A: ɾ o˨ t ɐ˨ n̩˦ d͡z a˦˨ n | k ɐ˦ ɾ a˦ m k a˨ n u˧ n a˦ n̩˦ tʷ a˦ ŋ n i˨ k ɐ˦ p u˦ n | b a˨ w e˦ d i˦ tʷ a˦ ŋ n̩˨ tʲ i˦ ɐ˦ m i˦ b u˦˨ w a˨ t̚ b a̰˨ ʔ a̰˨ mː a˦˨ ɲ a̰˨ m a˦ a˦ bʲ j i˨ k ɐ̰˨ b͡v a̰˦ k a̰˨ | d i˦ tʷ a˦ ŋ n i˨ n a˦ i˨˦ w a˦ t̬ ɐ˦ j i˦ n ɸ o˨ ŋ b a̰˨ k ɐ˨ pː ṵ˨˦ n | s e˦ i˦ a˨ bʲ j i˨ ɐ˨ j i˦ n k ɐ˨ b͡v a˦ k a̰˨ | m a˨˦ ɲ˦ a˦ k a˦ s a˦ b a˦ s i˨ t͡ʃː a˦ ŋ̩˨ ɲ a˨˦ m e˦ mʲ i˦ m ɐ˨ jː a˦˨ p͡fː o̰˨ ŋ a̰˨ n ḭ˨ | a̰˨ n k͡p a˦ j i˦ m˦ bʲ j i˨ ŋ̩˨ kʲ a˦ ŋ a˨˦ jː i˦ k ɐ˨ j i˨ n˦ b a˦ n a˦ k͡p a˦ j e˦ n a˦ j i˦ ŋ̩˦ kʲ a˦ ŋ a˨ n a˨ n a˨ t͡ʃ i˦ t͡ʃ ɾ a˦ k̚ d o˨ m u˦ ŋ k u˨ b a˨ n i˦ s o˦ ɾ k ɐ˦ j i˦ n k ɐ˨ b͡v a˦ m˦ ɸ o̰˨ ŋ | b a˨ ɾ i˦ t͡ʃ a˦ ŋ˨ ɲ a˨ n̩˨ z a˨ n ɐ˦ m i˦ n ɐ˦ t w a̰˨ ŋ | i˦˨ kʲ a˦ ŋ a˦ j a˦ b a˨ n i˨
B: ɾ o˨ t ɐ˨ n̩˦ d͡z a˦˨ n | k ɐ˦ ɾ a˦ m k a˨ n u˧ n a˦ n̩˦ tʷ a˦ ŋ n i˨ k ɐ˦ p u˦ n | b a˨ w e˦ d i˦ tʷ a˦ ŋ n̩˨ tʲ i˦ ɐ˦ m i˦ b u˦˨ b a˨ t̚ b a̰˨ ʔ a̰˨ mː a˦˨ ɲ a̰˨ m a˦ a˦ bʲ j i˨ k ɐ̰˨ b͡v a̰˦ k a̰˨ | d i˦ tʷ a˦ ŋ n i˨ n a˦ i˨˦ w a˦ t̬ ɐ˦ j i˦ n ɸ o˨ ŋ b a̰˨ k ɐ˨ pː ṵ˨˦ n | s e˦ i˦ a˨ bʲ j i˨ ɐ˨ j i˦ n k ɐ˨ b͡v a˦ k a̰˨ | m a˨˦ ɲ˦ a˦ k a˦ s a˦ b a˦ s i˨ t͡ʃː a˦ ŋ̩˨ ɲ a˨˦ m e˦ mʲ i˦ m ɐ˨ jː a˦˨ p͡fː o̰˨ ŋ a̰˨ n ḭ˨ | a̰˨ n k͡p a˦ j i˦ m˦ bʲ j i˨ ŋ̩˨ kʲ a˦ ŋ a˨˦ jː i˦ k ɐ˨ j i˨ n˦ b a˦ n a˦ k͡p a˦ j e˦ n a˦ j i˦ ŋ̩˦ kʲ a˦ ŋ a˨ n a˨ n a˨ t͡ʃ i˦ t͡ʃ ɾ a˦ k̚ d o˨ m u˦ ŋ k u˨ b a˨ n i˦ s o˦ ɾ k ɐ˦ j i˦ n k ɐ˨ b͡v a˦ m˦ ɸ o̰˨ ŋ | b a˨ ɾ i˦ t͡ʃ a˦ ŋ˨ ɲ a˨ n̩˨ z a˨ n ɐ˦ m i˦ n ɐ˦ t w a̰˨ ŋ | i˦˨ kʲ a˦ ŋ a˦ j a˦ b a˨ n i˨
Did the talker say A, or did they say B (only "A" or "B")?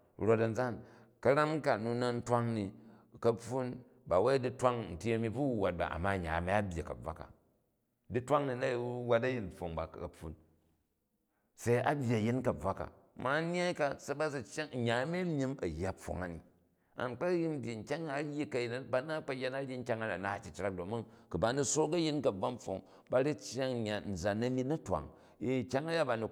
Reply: A